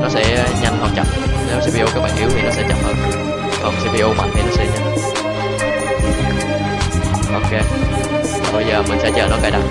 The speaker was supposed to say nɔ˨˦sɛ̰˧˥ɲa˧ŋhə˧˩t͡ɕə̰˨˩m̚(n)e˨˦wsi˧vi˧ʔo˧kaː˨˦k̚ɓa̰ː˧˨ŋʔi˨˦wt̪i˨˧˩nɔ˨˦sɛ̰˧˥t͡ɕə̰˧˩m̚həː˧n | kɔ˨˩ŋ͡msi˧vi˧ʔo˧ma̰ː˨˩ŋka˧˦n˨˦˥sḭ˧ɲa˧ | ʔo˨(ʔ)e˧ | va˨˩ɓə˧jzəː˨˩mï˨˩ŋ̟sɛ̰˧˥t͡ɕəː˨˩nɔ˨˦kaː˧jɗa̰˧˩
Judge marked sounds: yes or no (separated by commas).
yes, no